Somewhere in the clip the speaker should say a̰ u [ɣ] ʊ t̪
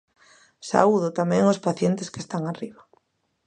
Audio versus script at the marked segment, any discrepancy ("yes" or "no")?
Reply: yes